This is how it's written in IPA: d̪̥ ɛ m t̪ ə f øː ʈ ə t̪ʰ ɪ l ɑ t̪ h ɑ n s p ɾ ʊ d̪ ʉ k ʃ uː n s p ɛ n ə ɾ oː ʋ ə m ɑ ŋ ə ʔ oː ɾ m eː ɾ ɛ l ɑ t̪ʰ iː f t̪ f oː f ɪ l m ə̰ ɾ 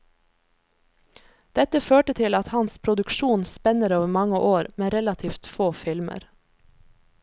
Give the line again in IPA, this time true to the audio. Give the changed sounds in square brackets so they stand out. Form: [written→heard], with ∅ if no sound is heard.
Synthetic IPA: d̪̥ ɛ [m→∅] t̪ ə f øː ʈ ə t̪ʰ ɪ l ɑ t̪ h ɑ n s [p→pʰ] ɾ ʊ d̪ ʉ k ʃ uː n s p ɛ n ə ɾ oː ʋ ə m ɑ ŋ ə ʔ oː ɾ m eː ɾ ɛ l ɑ t̪ʰ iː f t̪ f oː f ɪ l m ə̰ ɾ